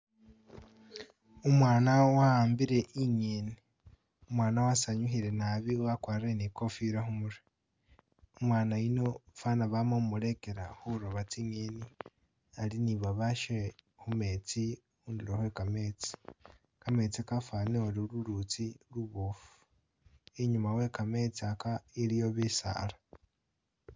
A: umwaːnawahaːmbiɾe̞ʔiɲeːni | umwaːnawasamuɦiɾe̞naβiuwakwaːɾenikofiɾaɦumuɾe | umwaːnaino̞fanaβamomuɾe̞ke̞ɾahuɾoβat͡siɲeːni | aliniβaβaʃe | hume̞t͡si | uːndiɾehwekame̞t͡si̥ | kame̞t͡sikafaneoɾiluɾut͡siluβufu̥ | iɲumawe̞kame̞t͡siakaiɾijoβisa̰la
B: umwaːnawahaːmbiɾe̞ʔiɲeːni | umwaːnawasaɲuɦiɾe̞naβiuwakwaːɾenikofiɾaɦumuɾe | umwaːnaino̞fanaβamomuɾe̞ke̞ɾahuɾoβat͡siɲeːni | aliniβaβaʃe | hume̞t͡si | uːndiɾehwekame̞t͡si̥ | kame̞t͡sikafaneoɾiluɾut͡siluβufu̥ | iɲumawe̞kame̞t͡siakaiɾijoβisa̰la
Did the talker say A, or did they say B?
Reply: B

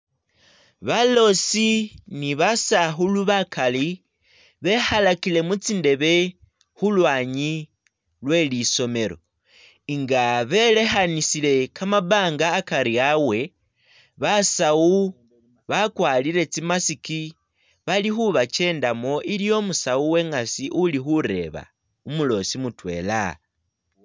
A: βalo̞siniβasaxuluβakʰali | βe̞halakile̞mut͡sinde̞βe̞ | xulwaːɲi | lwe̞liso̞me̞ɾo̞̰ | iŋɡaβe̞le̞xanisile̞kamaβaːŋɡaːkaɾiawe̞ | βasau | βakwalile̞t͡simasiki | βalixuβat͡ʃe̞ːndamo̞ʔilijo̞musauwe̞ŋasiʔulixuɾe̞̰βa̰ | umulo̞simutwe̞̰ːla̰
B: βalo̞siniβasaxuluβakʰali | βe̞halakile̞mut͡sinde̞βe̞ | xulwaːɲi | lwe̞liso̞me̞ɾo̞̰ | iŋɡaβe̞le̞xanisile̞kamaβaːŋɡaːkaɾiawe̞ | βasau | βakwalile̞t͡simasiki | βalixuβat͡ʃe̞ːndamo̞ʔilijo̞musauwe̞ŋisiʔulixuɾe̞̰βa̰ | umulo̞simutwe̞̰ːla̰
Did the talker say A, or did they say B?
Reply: A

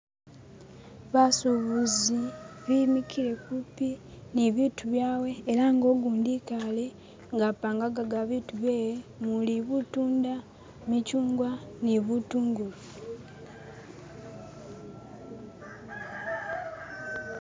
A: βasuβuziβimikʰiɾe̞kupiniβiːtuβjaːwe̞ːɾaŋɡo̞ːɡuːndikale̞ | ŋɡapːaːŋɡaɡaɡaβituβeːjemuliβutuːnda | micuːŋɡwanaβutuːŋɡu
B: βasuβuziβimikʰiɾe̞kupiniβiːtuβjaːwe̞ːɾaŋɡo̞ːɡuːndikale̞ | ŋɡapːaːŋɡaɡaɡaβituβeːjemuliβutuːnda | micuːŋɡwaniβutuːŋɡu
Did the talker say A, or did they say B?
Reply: B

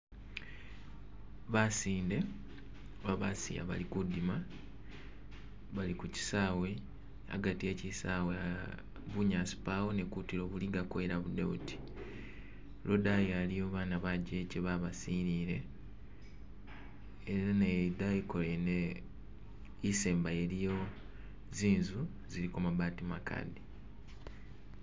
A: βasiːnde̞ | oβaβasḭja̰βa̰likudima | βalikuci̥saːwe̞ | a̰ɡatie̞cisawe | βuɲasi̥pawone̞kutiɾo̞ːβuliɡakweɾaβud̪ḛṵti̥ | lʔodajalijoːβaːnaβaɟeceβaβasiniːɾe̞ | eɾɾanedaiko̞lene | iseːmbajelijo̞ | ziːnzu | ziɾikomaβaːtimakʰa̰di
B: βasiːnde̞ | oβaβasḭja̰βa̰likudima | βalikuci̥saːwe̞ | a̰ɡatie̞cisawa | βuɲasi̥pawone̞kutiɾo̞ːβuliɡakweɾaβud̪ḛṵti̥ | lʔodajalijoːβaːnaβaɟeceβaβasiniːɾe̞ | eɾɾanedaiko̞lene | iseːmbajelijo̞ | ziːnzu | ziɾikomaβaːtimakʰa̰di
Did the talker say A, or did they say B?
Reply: A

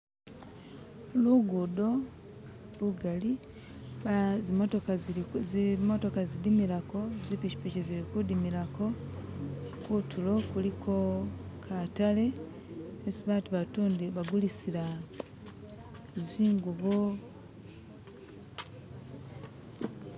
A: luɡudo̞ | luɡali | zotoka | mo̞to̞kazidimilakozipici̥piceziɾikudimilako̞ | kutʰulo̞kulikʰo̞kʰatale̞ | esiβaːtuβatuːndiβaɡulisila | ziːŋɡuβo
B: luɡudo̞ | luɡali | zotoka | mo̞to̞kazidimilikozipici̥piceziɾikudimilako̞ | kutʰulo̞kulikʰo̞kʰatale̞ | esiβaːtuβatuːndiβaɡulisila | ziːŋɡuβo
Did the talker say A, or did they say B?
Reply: A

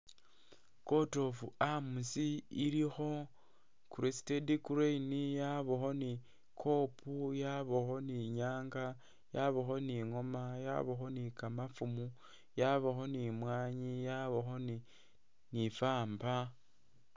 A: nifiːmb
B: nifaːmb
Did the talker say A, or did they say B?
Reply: B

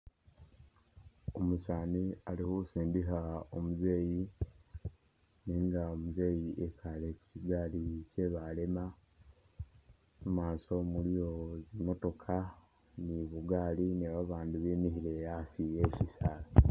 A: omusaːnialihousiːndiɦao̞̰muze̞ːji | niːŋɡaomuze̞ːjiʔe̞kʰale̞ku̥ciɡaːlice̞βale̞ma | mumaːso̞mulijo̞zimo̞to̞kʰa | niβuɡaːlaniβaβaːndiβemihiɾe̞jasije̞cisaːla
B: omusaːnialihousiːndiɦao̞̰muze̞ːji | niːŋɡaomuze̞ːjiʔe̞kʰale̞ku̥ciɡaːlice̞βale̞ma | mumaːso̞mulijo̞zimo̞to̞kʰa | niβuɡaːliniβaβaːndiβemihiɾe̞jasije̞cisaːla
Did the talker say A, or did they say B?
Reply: B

